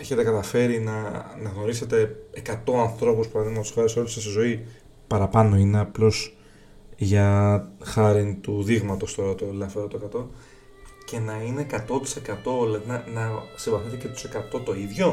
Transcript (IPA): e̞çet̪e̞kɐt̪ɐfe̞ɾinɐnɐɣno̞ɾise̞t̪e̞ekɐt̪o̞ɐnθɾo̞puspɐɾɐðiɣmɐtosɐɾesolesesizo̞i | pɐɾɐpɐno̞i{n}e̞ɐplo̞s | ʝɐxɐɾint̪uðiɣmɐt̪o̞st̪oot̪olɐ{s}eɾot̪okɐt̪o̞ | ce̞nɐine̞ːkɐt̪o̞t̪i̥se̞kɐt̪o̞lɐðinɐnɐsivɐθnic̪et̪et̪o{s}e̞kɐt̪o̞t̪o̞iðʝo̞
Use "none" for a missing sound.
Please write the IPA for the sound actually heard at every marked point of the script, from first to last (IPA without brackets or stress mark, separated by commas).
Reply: n, f, s